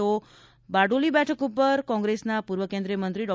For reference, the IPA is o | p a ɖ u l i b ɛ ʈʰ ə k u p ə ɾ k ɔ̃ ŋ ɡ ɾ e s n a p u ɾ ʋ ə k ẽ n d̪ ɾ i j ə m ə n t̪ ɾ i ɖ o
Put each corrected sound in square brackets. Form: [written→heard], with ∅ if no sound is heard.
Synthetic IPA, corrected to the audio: o | [p→b] a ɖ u l i b ɛ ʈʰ ə k u p ə ɾ k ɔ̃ ŋ ɡ ɾ e s n a p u ɾ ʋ ə k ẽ n d̪ ɾ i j ə m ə n t̪ ɾ i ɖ [o→ɔ]